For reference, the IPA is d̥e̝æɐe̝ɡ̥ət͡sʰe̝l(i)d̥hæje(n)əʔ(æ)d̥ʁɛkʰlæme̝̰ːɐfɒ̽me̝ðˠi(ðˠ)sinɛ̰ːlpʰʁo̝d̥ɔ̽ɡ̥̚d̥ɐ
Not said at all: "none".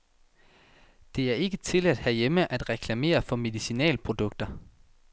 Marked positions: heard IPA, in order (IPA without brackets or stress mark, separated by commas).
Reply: æ, m, æ, none